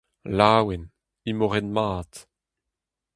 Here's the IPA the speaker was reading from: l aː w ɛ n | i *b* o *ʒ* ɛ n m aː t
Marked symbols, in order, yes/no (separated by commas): no, no